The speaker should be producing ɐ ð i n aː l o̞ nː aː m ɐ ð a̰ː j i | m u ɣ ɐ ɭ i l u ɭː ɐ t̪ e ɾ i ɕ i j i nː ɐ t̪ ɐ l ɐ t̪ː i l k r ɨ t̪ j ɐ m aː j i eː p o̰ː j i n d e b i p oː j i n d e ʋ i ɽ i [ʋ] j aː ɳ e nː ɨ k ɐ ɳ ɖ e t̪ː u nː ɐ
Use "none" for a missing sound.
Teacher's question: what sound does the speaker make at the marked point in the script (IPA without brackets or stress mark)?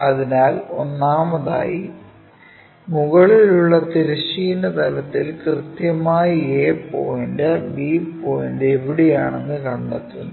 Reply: none